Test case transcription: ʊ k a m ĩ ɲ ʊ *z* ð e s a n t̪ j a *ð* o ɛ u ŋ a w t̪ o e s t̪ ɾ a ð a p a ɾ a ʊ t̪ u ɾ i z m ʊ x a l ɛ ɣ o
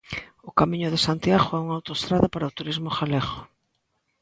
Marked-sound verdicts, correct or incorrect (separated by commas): incorrect, incorrect